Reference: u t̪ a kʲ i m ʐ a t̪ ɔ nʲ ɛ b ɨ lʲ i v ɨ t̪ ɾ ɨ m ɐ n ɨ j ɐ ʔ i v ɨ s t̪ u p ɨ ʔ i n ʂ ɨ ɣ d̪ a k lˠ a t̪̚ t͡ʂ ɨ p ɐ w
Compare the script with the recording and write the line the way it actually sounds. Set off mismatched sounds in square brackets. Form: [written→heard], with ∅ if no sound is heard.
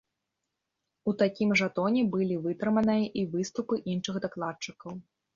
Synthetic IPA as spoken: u t̪ a kʲ i m ʐ a t̪ ɔ nʲ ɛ b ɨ lʲ i v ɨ t̪ ɾ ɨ m ɐ n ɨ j ɐ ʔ i v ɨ s t̪ u p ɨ ʔ i n ʂ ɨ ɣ d̪ a k lˠ a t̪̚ t͡ʂ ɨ [p→k] ɐ w